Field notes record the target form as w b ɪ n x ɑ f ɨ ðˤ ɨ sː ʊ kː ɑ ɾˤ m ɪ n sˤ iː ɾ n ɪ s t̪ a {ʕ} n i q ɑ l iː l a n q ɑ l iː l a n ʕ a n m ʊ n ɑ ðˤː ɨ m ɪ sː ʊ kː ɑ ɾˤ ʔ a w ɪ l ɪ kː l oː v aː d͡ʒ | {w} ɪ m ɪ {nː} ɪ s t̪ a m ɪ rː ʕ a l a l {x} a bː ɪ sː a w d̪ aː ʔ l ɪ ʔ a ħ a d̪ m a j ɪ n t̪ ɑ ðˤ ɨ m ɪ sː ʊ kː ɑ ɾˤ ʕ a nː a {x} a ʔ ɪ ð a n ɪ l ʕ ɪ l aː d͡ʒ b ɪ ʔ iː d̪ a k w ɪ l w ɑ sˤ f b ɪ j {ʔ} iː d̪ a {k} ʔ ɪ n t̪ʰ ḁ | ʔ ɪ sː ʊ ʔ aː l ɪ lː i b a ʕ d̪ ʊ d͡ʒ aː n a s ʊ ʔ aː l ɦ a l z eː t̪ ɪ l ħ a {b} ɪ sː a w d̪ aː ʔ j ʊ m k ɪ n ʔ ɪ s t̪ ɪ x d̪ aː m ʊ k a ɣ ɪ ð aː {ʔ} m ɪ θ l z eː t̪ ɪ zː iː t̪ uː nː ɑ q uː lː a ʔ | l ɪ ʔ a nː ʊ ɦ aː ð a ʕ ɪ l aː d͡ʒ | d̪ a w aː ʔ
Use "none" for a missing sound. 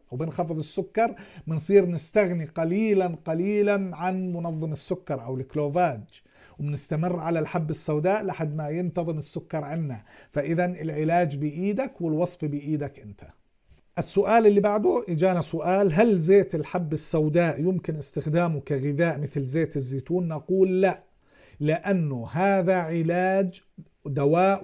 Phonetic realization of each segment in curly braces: ɣ, w, n, ħ, f, ʔ, k, bː, ʔ

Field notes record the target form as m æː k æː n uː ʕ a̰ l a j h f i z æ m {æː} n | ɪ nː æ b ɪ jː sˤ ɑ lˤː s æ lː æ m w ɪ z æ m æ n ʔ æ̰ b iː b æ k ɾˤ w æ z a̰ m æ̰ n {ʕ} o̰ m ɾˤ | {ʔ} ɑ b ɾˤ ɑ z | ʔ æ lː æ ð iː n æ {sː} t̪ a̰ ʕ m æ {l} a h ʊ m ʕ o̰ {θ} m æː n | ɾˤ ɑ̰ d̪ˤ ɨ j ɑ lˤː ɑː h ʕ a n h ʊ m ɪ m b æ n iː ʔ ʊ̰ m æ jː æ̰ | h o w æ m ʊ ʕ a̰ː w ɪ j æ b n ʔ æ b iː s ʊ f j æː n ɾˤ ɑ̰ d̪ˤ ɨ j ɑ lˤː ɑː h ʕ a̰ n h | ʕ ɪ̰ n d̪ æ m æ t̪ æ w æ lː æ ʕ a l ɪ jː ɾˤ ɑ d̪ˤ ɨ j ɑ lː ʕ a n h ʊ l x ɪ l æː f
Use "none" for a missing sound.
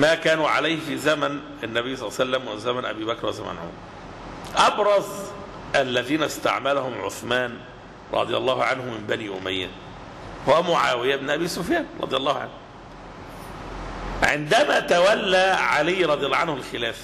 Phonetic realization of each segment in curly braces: æ, ʕ, ʔ, s, l, θ

